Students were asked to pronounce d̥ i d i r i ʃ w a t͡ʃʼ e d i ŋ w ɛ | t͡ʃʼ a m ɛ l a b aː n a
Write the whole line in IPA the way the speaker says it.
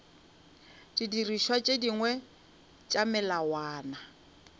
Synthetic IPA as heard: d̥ i d i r i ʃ w a t͡ʃʼ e d i ŋ w ɛ | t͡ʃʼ a m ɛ l a w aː n a